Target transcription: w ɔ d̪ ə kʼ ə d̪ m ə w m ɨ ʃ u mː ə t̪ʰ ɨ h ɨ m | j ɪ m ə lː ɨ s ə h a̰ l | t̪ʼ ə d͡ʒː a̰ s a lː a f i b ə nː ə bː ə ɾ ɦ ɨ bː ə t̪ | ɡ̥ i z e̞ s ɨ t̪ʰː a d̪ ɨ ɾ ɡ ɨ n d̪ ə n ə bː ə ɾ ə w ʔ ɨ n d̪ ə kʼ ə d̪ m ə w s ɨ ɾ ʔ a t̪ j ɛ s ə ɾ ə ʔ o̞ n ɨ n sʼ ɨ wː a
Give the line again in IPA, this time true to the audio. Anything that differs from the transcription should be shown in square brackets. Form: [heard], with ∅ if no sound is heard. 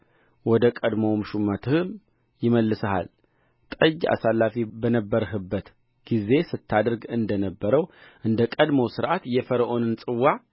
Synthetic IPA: w ɔ d̪ ə kʼ ə d̪ m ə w m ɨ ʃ u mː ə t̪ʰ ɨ h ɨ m | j ɪ m ə lː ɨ s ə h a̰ l | t̪ʼ ə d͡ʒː a̰ s a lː a f i b ə [n] ə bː ə ɾ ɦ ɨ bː ə t̪ | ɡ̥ i z e̞ s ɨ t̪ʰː a d̪ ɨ ɾ ɡ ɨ n d̪ ə n ə bː ə ɾ ə w ʔ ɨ n d̪ ə kʼ ə d̪ m ə w s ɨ ɾ ʔ a t̪ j ɛ [f] ə ɾ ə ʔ o̞ n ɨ n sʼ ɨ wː a